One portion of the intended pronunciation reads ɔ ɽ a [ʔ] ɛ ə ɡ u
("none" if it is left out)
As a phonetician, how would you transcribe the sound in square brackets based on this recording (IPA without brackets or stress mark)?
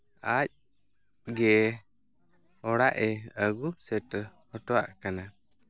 ʔ